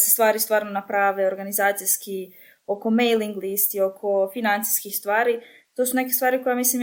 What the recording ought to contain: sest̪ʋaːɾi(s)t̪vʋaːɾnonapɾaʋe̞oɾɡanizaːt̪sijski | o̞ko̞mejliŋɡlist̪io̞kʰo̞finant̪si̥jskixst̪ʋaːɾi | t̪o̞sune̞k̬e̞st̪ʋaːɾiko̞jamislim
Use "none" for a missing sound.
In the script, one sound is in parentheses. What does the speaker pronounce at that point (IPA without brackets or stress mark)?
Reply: s